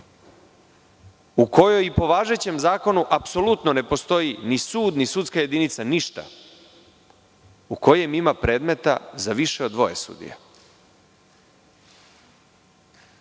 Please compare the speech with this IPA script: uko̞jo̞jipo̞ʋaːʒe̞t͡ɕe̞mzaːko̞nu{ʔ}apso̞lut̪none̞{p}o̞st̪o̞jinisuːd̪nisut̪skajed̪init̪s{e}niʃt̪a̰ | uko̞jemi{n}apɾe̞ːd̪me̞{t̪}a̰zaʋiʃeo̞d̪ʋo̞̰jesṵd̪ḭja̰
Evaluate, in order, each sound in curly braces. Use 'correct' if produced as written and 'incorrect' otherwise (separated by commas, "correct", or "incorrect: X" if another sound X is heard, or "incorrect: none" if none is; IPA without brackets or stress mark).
correct, correct, incorrect: a, incorrect: m, correct